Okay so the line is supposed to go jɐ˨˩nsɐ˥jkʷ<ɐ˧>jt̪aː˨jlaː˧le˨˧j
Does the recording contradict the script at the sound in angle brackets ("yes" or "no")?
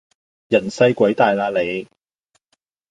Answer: yes